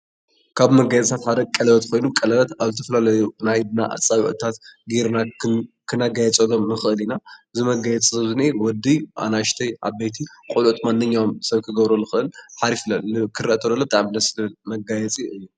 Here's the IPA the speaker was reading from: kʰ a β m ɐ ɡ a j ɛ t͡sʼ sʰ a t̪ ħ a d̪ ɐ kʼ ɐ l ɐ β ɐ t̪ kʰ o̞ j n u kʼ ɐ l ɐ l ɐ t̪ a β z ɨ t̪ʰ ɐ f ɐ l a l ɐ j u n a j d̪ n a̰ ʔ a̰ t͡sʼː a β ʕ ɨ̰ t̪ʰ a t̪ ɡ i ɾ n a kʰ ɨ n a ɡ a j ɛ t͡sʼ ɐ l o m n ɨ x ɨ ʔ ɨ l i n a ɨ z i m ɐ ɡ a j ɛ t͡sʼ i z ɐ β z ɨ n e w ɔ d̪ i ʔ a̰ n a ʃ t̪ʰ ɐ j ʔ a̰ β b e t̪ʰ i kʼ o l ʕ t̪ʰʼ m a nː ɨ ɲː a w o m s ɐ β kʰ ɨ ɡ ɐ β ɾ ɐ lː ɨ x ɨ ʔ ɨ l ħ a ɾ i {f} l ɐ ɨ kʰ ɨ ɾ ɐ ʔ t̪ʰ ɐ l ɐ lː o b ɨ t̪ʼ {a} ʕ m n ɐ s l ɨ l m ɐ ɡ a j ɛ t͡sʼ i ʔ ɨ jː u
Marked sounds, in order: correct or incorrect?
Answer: correct, correct

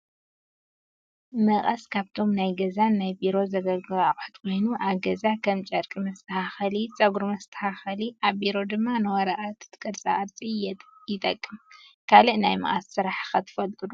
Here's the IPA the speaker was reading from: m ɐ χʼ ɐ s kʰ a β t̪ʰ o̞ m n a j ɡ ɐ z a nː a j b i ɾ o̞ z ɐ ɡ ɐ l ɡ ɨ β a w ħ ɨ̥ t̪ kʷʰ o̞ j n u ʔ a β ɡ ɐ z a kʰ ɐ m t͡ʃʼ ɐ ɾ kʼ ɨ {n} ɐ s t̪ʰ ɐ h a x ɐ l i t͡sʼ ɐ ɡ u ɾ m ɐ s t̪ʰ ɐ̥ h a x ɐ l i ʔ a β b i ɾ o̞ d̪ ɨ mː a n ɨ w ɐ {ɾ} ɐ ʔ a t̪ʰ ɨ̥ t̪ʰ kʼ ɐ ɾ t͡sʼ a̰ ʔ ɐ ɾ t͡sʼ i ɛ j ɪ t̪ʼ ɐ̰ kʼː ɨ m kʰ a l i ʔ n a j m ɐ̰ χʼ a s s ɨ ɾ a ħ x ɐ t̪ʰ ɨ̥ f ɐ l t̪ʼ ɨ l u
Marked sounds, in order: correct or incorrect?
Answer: incorrect, correct

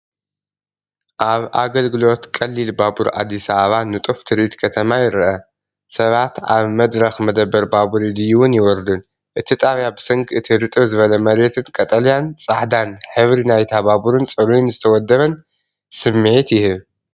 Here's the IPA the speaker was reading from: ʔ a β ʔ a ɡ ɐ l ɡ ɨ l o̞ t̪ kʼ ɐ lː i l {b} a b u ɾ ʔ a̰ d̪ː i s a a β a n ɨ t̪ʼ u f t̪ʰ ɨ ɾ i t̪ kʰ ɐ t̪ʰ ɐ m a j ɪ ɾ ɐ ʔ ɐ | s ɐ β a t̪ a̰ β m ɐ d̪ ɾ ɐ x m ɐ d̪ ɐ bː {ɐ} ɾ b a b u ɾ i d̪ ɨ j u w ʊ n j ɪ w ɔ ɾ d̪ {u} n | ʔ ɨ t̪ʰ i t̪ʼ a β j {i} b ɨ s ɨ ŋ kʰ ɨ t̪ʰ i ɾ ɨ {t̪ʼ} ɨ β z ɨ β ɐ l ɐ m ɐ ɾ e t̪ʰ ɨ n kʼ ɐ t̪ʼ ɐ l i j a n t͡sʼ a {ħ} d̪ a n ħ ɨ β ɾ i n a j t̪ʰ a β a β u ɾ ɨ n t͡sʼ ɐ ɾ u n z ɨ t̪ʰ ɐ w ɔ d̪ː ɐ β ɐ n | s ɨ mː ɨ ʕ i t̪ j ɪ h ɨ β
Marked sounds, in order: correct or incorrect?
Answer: correct, correct, correct, incorrect, correct, correct

